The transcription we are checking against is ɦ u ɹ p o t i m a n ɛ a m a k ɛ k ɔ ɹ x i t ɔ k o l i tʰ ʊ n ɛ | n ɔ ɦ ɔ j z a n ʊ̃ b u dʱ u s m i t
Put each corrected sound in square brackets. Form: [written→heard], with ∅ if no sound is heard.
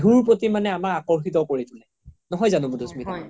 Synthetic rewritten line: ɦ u ɹ p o t i m a n ɛ a m a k [ɛ→a] k ɔ ɹ x i t ɔ k o [l→ɹ] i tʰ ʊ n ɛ | n ɔ ɦ ɔ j z a n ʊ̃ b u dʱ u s m i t